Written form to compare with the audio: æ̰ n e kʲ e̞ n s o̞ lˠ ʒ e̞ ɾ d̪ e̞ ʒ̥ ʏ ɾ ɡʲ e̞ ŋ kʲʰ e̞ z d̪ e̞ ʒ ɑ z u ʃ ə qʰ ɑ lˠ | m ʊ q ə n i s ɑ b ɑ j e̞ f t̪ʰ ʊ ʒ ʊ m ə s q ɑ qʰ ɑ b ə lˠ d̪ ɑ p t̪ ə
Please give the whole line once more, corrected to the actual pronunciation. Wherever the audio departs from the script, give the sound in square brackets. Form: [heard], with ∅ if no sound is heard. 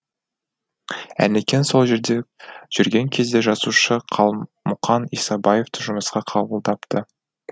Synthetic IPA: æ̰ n e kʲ e̞ n s o̞ lˠ ʒ e̞ ɾ d̪ e̞ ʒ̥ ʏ ɾ ɡʲ e̞ ŋ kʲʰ e̞ z d̪ e̞ ʒ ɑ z u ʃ ə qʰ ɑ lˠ | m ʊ q [ɑ] n i s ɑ b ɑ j e̞ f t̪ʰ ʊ ʒ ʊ m ə s q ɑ qʰ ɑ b ə lˠ d̪ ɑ p t̪ ə